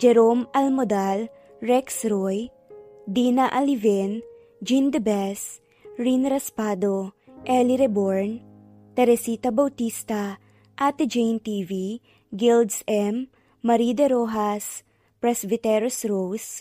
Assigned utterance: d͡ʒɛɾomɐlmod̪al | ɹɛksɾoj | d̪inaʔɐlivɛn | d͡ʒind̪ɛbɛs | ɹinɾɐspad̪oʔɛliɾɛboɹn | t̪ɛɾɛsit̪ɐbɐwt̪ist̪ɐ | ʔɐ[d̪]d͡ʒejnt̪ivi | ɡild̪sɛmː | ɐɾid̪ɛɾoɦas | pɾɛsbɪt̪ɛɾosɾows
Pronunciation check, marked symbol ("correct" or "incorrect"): incorrect